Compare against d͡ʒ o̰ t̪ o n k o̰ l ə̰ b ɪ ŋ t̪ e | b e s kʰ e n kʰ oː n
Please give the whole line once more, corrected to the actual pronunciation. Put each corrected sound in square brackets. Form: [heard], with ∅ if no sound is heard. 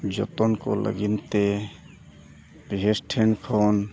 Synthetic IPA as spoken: d͡ʒ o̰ t̪ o n k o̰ l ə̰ [ɡ] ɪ [n] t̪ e | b e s [ʈʰ] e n kʰ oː n